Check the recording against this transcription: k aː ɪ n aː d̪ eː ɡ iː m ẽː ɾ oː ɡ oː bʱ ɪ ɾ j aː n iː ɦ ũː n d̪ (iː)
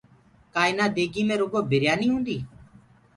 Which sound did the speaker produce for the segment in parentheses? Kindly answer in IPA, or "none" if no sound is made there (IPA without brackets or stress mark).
iː